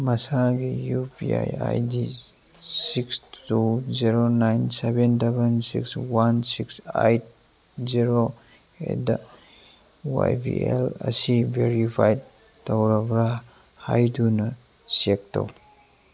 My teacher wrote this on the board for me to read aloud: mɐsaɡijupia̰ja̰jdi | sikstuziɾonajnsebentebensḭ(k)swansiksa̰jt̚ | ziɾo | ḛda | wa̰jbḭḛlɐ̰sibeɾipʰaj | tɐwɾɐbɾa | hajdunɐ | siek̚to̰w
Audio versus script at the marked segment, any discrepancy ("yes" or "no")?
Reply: no